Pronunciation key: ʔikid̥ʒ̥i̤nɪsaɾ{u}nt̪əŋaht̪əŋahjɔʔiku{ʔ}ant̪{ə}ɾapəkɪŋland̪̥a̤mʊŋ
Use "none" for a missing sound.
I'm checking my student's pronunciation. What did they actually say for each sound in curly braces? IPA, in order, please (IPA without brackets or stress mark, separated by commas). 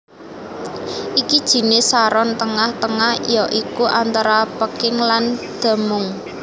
ɔ, ʔ, a